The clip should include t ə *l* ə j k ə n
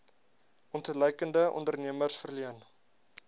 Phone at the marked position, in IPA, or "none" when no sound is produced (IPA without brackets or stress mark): l